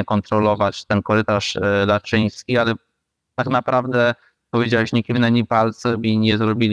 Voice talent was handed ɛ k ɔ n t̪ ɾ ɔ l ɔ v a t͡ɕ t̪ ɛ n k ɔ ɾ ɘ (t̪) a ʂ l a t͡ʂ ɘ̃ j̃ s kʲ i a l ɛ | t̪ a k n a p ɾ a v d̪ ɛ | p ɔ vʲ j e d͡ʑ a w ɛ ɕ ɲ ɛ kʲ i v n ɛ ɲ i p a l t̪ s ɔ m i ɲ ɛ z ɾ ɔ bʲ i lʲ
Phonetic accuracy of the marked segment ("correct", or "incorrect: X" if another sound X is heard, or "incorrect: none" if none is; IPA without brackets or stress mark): correct